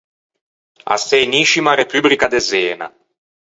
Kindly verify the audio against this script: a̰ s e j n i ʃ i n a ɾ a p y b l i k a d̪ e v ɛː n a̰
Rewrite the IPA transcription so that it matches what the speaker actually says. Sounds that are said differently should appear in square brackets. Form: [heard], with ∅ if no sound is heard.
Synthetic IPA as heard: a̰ s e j n i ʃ i [m] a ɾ [e] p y b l i k a d̪ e [z] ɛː n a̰